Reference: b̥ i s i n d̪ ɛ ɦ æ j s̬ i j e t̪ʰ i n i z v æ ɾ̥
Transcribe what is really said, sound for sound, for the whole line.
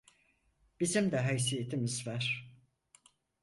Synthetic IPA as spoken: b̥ i z i m d̪ ɛ ɦ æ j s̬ i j e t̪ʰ i m i z v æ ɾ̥